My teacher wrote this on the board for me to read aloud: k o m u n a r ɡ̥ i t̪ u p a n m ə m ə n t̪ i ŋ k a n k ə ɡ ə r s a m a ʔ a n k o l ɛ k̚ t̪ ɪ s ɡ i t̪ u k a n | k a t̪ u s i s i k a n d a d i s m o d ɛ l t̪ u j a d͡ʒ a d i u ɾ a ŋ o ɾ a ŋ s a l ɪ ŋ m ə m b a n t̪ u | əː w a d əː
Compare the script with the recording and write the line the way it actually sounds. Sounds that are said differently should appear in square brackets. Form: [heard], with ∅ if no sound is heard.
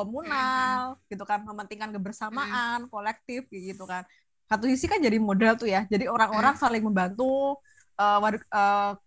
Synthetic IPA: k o m u n a [l] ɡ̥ i t̪ u [k] a n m ə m ə n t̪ i ŋ k a n k ə [b] ə r s a m a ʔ a n k o l ɛ k̚ t̪ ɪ [f] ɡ i t̪ u k a n | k a t̪ u s i s i k a n [d͡ʒ] a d i [∅] m o d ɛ l t̪ u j a d͡ʒ a d i [o] ɾ a ŋ o ɾ a ŋ s a l ɪ ŋ m ə m b a n t̪ u | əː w a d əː